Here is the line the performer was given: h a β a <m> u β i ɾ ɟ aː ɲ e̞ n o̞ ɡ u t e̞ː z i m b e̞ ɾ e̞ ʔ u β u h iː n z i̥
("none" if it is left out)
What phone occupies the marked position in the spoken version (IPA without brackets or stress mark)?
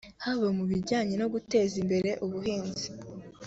m